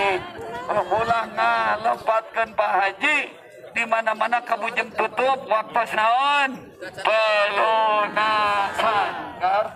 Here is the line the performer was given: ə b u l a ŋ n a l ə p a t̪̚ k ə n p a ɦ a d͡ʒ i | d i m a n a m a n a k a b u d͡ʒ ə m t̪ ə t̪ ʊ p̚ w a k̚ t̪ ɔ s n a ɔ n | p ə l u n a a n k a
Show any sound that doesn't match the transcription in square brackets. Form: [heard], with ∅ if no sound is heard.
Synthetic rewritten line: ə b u l a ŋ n a l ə p a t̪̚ k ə n p a ɦ a d͡ʒ i | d i m a n a m a n a k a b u d͡ʒ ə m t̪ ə t̪ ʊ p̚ w a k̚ t̪ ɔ s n a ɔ n | p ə l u n a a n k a